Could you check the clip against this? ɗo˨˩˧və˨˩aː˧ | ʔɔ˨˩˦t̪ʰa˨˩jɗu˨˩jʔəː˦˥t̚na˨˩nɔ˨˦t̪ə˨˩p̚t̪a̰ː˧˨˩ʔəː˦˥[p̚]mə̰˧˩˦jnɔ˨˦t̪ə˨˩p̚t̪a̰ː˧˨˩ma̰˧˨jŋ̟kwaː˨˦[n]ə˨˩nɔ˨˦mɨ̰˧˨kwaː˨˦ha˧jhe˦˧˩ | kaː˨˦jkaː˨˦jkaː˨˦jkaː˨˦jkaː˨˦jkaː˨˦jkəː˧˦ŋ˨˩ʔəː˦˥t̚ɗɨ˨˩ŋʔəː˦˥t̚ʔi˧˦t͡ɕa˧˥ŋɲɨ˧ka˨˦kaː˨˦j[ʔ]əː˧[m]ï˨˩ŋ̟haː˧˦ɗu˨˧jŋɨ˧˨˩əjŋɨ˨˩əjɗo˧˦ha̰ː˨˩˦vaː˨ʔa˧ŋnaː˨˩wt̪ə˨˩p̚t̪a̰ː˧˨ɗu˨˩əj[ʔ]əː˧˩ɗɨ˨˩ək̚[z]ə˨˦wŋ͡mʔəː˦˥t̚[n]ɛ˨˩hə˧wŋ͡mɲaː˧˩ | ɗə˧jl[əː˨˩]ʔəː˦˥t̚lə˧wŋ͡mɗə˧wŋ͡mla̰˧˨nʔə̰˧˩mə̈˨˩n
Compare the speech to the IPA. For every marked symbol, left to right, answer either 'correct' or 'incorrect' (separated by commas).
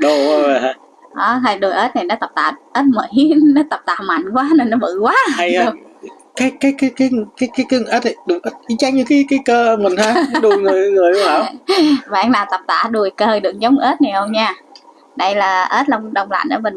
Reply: incorrect, correct, incorrect, correct, incorrect, correct, correct, incorrect